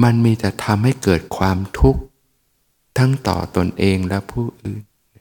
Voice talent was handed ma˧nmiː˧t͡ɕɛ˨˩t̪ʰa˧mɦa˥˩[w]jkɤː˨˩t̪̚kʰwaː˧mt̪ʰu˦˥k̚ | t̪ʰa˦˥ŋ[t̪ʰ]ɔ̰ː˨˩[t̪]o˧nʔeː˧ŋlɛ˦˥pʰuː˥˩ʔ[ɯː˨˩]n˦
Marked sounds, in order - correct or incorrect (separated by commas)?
incorrect, incorrect, correct, correct